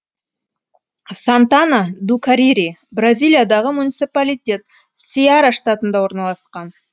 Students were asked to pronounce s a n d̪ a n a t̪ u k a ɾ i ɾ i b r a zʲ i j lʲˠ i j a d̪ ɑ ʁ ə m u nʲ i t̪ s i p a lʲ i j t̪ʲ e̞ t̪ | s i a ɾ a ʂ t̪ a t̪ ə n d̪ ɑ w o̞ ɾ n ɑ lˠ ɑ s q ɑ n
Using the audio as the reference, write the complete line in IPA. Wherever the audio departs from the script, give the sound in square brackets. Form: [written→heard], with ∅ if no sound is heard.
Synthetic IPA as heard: s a n [d̪→t̪] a n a [t̪→d̪] u k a ɾ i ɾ i b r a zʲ i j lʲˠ i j a d̪ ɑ ʁ ə m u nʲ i t̪ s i p a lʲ i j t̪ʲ e̞ t̪ | s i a ɾ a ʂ t̪ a t̪ ə n d̪ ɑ w o̞ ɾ n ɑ lˠ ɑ s q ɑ n